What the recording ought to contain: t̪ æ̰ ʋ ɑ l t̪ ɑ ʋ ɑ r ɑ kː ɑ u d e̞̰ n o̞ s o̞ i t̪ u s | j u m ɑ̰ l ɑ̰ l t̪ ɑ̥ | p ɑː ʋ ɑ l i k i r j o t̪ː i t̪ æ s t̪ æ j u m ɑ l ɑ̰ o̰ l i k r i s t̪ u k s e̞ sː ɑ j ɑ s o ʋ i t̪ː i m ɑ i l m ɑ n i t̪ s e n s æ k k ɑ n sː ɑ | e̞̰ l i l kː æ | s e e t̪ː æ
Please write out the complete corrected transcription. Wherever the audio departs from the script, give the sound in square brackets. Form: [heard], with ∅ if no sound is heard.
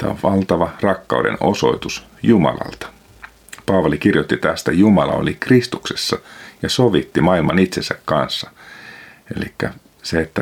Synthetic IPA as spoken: t̪ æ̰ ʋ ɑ l t̪ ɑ ʋ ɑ r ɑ kː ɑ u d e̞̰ n o̞ s o̞ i t̪ u s | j u m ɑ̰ l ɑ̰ l t̪ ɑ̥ | p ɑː ʋ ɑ l i k i r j o t̪ː i t̪ æ s t̪ æ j u m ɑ l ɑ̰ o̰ l i k r i s t̪ u k s e̞ sː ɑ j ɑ s o ʋ i t̪ː i m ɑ i l m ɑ n i t̪ s e n s æ k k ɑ n sː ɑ | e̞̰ l i [∅] kː æ | s e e t̪ː æ